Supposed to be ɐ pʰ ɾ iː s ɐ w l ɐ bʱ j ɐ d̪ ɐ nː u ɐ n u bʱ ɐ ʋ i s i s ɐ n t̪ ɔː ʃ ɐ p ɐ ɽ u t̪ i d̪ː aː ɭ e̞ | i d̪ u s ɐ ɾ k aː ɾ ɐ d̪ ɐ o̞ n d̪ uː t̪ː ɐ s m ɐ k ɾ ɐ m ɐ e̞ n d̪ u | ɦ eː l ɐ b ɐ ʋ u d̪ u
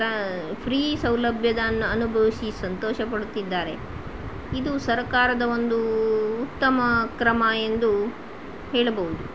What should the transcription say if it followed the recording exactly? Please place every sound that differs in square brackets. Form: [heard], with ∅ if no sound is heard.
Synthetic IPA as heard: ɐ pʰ ɾ iː s ɐ w l ɐ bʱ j ɐ d̪ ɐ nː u ɐ n u bʱ ɐ ʋ i s i s ɐ n t̪ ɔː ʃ ɐ p ɐ ɽ u t̪ i d̪ː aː [ɾ] e̞ | i d̪ u s ɐ ɾ k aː ɾ ɐ d̪ ɐ o̞ n d̪ uː t̪ː ɐ [∅] m ɐ k ɾ ɐ m ɐ e̞ n d̪ u | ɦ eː [ɭ] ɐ b ɐ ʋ u d̪ u